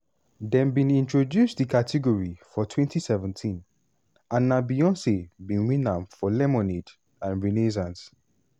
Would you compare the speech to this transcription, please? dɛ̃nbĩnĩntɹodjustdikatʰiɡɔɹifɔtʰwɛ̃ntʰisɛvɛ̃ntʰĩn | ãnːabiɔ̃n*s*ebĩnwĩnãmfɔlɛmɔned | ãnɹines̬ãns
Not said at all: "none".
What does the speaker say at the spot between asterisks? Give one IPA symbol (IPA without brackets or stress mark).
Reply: s